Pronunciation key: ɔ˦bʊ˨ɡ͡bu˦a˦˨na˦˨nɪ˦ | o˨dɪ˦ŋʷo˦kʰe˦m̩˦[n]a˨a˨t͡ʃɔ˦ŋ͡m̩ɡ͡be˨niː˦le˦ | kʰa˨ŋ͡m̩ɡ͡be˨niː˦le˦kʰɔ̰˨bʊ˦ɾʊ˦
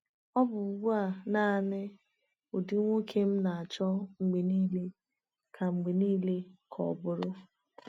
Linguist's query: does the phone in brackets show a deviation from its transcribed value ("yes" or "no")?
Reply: no